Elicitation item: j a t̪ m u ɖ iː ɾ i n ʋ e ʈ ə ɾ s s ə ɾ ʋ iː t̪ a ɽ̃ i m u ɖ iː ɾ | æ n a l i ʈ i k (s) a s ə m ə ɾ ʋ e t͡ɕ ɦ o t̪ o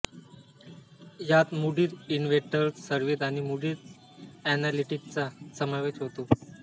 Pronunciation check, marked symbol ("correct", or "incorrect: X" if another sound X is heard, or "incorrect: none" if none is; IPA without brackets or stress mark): incorrect: t͡s